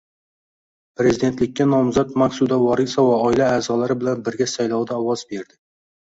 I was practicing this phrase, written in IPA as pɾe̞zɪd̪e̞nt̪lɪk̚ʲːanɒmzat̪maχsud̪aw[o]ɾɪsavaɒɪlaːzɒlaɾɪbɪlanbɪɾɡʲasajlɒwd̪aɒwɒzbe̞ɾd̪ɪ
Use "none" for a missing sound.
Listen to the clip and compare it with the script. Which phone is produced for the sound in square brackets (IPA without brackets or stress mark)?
ɒ